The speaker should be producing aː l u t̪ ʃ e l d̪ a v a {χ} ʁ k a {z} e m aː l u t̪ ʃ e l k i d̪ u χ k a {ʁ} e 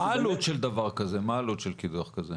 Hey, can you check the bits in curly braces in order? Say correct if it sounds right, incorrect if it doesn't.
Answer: incorrect: none, correct, incorrect: z

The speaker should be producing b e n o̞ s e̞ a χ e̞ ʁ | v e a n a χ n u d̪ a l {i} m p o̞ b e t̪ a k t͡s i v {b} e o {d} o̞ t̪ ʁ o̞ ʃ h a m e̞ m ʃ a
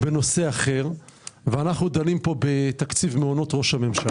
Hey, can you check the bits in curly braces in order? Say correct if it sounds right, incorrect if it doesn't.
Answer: correct, incorrect: m, incorrect: n

